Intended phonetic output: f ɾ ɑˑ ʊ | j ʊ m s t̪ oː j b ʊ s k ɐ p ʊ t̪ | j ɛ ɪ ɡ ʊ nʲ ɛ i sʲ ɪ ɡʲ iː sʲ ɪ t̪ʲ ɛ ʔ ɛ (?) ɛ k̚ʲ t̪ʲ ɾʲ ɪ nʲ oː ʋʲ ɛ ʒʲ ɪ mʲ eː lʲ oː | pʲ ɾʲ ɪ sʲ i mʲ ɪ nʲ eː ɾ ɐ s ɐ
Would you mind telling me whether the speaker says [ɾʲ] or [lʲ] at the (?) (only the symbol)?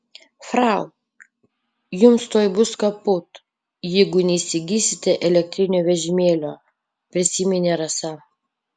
lʲ